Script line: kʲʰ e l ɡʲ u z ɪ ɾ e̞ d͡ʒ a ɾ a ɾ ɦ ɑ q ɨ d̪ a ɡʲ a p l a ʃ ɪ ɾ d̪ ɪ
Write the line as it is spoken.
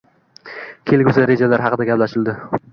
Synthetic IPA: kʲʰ e l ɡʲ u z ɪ ɾ e̞ d͡ʒ a l a ɾ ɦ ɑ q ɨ d̪ a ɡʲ a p l a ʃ ɪ l d̪ ɪ

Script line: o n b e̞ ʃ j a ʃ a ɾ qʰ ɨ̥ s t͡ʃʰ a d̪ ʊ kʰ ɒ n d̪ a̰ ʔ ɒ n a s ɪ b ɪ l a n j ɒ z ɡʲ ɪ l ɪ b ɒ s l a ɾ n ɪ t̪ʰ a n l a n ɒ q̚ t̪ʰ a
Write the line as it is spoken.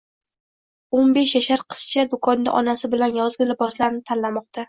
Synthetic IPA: o n b e̞ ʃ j a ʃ a ɾ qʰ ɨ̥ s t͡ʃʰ a d̪ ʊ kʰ ɒ n d̪ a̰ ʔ ɒ n a s ɪ b ɪ l a n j ɒ z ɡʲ ɪ l ɪ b ɒ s l a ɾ n ɪ t̪ʰ a n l a m ɒ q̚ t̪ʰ a

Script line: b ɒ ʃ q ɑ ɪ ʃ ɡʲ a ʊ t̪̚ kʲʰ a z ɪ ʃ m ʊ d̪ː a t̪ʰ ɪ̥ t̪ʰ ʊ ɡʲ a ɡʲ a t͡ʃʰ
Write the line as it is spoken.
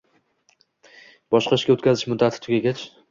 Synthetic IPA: b ɒ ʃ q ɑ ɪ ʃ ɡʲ a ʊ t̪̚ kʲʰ a z ɪ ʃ m ʊ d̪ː a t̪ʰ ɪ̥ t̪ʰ ʊ ɡʲ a ɡʲ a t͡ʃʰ

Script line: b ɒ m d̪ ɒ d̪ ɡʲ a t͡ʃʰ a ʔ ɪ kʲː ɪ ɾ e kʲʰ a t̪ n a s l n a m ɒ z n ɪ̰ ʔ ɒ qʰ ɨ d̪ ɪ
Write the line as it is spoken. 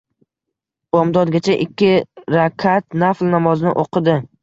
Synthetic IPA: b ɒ m d̪ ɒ d̪ ɡʲ a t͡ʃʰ a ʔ ɪ kʲː ɪ ɾ a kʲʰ a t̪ n a f l n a m ɒ z n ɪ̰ ʔ o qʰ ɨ d̪ ɪ

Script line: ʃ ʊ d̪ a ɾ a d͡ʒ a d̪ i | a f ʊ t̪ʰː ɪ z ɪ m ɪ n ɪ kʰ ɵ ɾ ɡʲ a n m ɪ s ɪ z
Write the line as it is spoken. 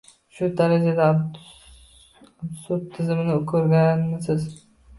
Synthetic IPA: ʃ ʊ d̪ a ɾ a d͡ʒ a d̪ a | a s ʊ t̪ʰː ɪ z ɪ m ɪ n ɪ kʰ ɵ ɾ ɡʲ a n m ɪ s ɪ z

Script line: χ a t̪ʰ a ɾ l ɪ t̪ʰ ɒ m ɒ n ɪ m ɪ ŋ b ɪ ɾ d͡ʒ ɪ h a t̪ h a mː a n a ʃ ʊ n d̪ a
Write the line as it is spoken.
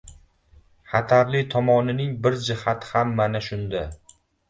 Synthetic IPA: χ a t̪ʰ a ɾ l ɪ t̪ʰ ɒ m ɒ n ɪ n ɪ ŋ b ɪ ɾ d͡ʒ ɪ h a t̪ h a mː a n a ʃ ʊ n d̪ a

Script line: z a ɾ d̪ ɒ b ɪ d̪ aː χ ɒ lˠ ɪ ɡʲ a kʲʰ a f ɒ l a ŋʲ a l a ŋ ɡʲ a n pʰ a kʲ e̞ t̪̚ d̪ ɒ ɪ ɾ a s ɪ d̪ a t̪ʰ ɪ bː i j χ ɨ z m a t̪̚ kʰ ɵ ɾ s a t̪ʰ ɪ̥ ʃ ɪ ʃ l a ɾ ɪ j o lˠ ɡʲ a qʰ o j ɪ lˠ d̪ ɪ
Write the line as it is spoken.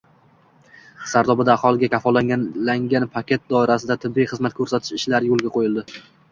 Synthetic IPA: s a ɾ d̪ ɒ b ɪ d̪ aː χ ɒ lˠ ɪ ɡʲ a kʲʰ a f ɒ l a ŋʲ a l a ŋ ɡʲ a n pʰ a kʲ e̞ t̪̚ d̪ ɒ ɪ ɾ a s ɪ d̪ a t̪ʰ ɪ bː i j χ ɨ z m a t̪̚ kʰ ɵ ɾ s a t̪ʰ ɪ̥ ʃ ɪ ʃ l a ɾ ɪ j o lˠ ɡʲ a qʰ o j ɪ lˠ d̪ ɪ

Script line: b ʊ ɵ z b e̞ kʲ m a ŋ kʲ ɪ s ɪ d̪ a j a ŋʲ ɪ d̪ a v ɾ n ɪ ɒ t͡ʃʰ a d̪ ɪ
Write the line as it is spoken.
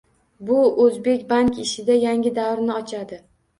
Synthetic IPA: b ʊ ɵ z b e̞ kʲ b a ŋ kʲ ɪ ʃ ɪ d̪ a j a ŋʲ ɪ d̪ a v ɾ n ɪ ɒ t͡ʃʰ a d̪ ɪ

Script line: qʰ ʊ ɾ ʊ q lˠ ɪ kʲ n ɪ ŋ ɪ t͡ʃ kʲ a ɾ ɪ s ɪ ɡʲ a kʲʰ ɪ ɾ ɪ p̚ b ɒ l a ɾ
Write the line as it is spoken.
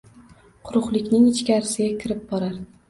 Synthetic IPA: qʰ ʊ ɾ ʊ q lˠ ɪ kʲ n ɪ ŋ ɪ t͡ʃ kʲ a ɾ ɪ s ɪ ɡʲ a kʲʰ ɪ ɾ ɪ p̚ b ɒ ɾ a ɾ

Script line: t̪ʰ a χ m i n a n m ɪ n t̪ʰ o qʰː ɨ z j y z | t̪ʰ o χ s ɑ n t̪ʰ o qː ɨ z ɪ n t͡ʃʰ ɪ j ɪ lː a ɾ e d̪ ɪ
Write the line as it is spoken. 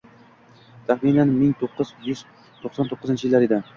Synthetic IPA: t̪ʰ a χ m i n a n m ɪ ŋ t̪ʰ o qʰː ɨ z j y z | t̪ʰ o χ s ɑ n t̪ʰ o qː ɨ z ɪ n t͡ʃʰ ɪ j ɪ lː a ɾ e d̪ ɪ

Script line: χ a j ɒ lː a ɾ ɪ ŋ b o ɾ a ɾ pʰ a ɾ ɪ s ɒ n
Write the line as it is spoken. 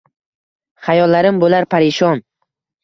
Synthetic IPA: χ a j ɒ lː a ɾ ɪ m b o l a ɾ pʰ a ɾ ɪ ʃ ɒ n

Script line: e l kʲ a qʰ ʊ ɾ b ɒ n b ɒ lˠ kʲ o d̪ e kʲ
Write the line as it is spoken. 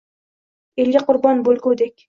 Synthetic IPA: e l ɡʲ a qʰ ʊ ɾ b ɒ n b o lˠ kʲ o d̪ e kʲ

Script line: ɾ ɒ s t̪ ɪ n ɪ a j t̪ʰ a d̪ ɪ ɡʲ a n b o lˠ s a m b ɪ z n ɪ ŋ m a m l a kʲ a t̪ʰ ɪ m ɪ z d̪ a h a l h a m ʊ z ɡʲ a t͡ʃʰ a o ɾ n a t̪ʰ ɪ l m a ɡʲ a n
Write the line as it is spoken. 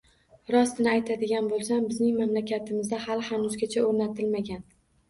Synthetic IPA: ɾ ɒ s t̪ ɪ n ɪ a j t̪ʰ a d̪ ɪ ɡʲ a n b o lˠ s a m b ɪ z n ɪ ŋ m a m l a kʲ a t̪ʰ ɪ m ɪ z d̪ a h a l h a n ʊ z ɡʲ a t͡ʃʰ a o ɾ n a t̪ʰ ɪ l m a ɡʲ a n

